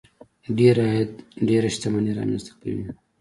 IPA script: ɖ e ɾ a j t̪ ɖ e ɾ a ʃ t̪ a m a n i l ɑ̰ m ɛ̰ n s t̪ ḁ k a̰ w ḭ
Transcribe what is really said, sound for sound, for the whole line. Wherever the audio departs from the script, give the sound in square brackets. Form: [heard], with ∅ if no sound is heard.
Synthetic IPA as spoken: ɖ e ɾ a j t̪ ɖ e ɾ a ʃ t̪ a m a n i [ɾ] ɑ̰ m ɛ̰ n s t̪ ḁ k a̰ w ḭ